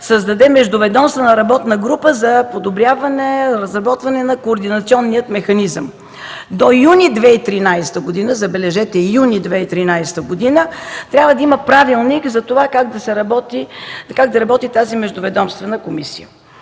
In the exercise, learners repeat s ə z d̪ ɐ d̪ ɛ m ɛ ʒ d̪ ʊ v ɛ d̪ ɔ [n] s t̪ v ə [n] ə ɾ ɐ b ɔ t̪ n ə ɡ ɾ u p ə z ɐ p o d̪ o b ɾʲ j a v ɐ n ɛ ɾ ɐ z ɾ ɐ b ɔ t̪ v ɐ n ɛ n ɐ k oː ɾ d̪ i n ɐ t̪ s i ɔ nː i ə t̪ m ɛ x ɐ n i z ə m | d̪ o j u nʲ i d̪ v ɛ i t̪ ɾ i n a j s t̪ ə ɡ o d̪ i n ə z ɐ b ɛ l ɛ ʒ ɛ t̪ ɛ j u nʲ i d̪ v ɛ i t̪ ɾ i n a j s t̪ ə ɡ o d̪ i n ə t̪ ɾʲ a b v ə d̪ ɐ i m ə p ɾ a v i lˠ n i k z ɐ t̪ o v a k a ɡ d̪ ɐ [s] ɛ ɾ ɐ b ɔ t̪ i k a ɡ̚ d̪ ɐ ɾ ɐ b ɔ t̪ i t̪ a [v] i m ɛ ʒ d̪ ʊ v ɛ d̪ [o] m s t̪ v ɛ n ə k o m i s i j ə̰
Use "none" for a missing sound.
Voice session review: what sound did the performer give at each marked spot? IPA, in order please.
m, n, s, z, ɔ

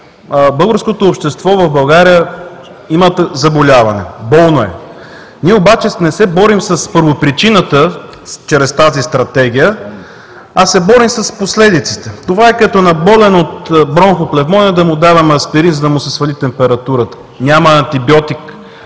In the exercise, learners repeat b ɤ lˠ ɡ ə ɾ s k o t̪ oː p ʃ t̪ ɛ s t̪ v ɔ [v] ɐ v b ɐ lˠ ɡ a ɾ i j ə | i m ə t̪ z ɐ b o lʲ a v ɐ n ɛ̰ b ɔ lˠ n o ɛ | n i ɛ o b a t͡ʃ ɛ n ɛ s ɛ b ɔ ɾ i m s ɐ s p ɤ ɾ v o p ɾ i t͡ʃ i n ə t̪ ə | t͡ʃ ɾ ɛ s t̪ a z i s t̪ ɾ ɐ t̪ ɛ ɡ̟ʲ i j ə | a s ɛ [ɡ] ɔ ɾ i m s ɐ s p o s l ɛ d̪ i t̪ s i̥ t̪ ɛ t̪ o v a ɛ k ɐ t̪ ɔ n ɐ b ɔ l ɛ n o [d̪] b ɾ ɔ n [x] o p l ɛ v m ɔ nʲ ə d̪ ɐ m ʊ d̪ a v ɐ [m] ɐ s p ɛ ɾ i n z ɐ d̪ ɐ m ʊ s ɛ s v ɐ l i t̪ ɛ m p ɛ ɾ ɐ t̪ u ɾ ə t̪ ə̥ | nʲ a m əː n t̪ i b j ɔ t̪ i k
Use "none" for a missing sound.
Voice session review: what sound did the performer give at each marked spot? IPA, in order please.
v, b, t̪, x, m

